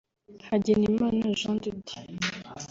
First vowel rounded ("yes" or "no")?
no